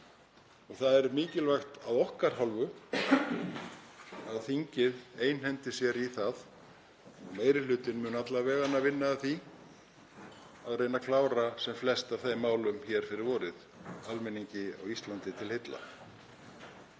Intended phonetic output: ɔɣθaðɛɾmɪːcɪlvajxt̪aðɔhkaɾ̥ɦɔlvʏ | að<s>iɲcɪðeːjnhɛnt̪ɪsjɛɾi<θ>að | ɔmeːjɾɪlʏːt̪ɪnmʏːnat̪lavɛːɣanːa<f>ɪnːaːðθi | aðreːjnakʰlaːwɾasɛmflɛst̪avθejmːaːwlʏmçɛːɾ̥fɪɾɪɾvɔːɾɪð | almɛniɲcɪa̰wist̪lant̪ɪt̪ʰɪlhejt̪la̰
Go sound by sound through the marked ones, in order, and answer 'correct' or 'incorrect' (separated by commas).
incorrect, correct, incorrect